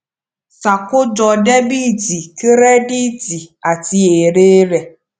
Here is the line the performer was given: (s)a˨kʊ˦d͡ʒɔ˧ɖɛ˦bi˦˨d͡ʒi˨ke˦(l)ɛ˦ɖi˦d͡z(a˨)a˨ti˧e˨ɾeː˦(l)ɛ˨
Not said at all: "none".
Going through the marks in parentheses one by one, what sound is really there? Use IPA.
s, ɾ, i˨, ɾ

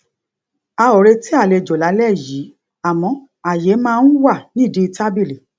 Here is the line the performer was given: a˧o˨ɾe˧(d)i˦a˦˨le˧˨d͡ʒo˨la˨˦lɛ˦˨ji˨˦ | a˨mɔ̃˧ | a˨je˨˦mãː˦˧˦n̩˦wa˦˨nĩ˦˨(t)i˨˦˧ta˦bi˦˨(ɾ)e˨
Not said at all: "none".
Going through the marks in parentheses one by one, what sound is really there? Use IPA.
t, d, l

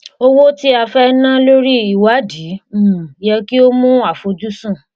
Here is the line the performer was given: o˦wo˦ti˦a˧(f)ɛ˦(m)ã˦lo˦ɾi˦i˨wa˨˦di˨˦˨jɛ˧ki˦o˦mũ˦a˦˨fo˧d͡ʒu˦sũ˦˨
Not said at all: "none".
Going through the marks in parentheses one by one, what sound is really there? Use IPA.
f, n

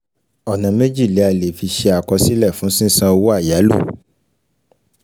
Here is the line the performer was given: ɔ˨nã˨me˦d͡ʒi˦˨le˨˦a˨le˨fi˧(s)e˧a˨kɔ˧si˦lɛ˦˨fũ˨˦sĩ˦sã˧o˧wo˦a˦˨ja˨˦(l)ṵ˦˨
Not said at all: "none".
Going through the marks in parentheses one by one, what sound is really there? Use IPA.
ʃ, l

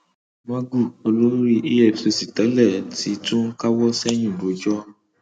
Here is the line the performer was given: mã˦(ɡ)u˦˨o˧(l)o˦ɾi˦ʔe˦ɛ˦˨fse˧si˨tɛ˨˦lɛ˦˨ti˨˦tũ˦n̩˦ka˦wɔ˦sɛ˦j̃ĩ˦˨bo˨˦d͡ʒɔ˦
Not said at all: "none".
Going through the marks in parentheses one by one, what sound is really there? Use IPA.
ɡ, l

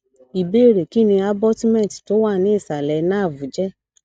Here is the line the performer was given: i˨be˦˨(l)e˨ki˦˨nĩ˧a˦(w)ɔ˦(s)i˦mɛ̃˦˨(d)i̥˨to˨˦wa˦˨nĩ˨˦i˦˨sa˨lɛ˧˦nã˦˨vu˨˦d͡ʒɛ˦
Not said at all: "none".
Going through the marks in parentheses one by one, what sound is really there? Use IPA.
ɾ, b, t, t

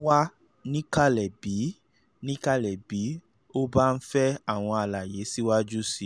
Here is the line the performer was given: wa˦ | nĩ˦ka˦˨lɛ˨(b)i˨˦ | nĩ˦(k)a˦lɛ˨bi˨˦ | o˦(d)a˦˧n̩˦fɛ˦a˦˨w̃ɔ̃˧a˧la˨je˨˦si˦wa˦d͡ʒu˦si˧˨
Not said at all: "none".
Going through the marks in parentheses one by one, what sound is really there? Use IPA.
b, k, b

